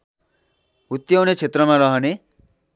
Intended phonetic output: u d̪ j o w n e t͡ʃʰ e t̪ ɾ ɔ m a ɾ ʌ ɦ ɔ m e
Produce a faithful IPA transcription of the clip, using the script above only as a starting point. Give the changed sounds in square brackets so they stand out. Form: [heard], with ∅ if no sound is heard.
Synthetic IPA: u [t̪] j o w n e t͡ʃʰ e t̪ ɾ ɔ m a ɾ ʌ ɦ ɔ [n] e